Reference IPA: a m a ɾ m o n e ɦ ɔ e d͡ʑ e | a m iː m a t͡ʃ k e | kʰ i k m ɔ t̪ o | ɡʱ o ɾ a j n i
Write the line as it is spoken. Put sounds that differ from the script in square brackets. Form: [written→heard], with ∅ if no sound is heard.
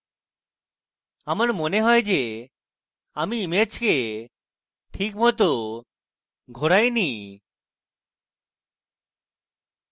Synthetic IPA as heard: a m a ɾ m o n e ɦ ɔ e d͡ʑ e | a m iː m [a→e] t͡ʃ k e | [kʰ→ʈʰ] i k m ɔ t̪ o | ɡʱ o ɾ a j n i